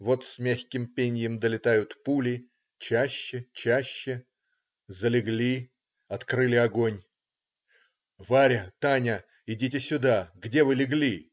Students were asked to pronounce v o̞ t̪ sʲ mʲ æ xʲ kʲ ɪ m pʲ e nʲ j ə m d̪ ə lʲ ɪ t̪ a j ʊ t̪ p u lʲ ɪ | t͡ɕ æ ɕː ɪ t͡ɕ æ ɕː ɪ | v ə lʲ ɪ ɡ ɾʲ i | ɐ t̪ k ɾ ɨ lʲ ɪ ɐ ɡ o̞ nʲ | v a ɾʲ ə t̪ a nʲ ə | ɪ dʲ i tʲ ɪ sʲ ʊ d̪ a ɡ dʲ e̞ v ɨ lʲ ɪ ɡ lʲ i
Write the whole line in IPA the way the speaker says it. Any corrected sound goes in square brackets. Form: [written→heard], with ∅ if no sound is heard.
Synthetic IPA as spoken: v o̞ t̪ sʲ mʲ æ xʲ kʲ ɪ m pʲ e nʲ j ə m d̪ ə lʲ ɪ t̪ a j ʊ t̪ p u lʲ ɪ | t͡ɕ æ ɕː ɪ t͡ɕ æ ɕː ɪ | [v→z] ə lʲ ɪ ɡ [ɾʲ→lʲ] i | ɐ t̪ k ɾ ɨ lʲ ɪ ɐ ɡ o̞ nʲ | v a ɾʲ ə t̪ a nʲ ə | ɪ dʲ i tʲ ɪ sʲ ʊ d̪ a ɡ dʲ e̞ v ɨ lʲ ɪ ɡ lʲ i